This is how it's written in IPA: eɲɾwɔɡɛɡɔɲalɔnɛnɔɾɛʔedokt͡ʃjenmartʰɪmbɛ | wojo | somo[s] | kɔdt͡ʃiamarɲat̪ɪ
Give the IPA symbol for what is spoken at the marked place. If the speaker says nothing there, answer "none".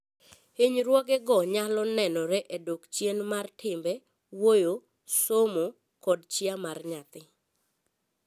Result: none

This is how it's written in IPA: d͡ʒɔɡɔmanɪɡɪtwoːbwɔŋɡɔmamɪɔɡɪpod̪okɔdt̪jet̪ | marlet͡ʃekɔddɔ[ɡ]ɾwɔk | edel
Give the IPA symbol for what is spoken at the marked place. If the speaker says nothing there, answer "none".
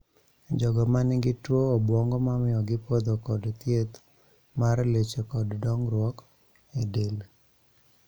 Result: ŋ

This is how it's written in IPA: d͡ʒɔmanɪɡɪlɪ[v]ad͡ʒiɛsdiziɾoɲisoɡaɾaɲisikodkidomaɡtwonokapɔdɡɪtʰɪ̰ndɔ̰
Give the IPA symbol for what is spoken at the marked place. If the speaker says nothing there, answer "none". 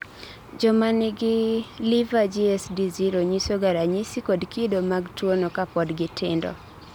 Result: v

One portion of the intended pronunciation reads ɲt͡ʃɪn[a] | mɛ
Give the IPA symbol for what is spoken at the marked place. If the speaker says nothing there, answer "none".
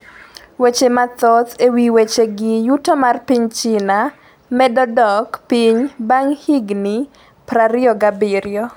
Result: a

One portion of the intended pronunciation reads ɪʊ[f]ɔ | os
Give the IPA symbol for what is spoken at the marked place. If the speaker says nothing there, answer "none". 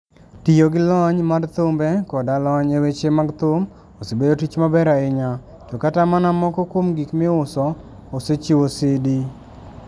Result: s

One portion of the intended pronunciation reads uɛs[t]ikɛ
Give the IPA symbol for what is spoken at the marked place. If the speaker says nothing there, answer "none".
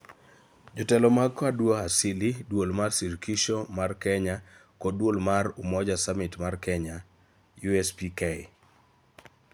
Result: p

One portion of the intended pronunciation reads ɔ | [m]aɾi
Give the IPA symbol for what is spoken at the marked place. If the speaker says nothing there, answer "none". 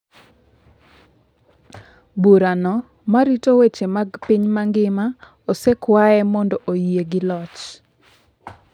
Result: m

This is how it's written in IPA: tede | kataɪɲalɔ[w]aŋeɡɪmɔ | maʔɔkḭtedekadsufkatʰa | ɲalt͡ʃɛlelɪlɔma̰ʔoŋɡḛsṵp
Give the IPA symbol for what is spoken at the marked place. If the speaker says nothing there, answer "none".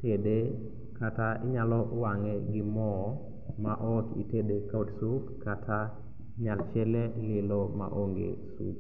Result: w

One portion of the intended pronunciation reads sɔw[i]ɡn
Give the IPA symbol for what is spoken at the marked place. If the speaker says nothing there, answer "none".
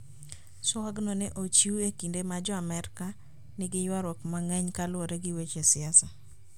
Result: a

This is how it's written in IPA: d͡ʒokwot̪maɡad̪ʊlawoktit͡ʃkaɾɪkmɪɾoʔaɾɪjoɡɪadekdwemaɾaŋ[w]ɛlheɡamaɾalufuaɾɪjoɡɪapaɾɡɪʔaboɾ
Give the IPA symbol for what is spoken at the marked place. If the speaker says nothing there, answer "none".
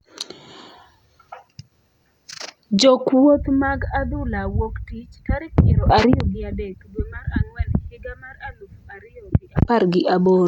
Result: w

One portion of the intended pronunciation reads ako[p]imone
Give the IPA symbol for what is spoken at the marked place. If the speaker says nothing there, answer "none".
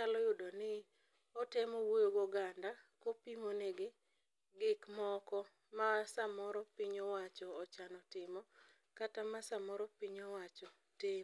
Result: p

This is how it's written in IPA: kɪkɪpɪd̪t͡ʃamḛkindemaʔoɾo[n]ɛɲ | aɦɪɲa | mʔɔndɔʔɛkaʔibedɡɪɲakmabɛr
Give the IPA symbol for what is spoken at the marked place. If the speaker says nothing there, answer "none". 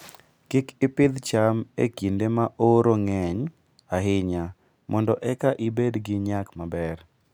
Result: ŋ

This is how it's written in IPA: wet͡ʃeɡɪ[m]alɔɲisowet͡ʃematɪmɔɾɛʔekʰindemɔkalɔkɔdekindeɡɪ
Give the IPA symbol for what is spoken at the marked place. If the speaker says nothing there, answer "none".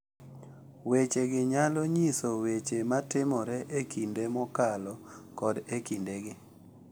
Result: ɲ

